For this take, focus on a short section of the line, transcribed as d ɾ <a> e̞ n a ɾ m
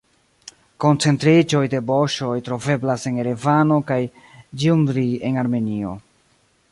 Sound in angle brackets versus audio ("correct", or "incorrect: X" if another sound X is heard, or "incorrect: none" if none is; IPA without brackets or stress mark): incorrect: i